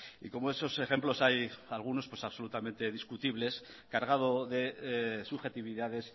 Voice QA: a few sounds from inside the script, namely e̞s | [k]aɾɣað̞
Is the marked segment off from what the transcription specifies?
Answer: no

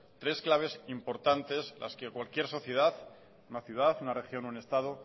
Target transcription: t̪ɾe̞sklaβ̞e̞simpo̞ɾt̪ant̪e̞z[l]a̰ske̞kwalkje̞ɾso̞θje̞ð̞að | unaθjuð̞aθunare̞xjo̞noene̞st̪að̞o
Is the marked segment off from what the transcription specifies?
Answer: no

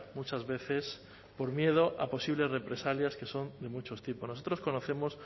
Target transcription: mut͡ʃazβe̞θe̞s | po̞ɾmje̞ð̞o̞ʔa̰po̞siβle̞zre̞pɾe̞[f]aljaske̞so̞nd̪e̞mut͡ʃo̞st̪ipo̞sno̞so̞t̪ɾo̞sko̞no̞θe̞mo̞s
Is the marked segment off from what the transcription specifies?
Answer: yes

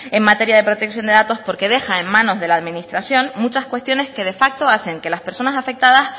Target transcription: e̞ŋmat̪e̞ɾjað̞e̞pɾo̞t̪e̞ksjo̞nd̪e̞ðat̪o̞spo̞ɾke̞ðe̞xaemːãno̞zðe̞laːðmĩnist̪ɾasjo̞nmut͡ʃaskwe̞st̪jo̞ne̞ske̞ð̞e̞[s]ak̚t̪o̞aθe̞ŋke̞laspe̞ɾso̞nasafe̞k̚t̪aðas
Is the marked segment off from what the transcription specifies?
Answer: yes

